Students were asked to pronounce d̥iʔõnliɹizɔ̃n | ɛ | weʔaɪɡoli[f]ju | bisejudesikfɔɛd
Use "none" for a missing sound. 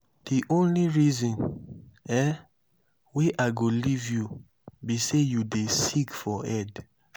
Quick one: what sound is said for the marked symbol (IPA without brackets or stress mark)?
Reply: v